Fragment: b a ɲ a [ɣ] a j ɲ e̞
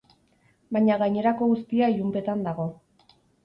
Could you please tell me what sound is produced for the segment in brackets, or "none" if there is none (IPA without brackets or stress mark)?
ɣ